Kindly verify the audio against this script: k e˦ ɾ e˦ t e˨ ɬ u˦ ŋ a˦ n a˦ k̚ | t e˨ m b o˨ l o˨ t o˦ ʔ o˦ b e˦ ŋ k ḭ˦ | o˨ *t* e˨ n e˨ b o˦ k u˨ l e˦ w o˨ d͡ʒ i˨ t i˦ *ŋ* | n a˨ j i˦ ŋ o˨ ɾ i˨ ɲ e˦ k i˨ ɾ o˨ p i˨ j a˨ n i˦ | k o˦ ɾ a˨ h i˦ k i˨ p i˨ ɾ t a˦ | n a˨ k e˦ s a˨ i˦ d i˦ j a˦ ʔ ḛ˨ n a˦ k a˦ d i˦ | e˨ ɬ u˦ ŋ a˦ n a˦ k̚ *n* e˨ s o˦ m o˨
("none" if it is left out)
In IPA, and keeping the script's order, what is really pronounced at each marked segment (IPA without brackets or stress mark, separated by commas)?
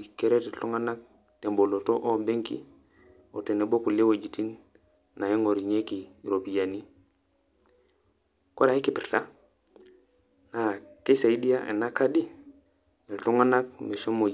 t, n, m